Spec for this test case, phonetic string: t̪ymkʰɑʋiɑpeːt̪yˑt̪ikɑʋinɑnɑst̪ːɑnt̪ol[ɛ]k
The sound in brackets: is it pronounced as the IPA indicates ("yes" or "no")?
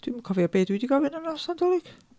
no